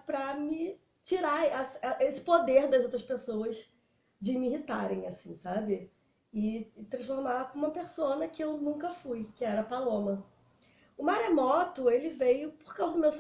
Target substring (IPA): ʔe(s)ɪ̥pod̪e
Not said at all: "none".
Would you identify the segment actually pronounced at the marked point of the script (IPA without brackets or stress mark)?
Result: s